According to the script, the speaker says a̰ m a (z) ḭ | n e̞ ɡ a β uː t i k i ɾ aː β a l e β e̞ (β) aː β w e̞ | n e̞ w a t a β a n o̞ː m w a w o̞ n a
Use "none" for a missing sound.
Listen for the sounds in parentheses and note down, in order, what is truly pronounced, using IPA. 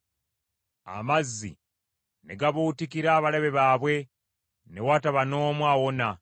zː, β

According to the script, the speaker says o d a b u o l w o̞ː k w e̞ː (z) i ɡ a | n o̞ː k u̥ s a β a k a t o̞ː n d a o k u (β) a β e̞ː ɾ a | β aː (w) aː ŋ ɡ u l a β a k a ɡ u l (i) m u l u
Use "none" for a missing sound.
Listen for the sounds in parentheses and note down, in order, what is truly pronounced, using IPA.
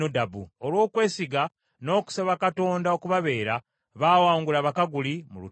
s, β, w, i

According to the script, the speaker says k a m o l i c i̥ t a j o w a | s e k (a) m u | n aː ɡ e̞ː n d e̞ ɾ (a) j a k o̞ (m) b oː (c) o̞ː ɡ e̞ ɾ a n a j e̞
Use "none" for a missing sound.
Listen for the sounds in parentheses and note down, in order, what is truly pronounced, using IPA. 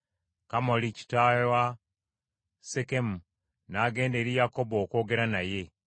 e, i, none, k

